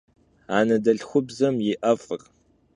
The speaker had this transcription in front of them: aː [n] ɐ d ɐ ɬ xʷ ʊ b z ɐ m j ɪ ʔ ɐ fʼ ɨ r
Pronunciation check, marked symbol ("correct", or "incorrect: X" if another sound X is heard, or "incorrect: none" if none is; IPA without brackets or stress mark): correct